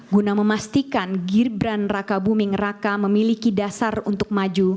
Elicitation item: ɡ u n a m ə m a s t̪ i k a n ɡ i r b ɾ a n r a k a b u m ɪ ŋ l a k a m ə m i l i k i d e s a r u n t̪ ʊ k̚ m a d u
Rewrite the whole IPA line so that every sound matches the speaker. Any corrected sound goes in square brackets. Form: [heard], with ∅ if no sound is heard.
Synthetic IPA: ɡ u n a m ə m a s t̪ i k a n ɡ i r b ɾ a n r a k a b u m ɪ ŋ [r] a k a m ə m i l i k i d [a] s a r u n t̪ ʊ k̚ m a [d͡ʒ] u